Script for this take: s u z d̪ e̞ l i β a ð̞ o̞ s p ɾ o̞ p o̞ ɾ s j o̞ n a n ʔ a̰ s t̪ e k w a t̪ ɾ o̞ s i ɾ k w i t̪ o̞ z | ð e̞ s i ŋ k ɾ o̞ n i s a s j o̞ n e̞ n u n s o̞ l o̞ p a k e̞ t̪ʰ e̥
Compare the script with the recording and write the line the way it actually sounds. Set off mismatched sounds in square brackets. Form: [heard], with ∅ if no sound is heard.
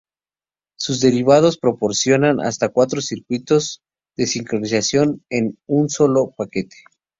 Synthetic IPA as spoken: s u z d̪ e̞ [ɾ] i β a ð̞ o̞ s p ɾ o̞ p o̞ ɾ s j o̞ n a n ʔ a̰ s t̪ [a] k w a t̪ ɾ o̞ s i ɾ k w i t̪ o̞ z | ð e̞ s i ŋ k ɾ o̞ n i s a s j o̞ n e̞ n u n s o̞ l o̞ p a k e̞ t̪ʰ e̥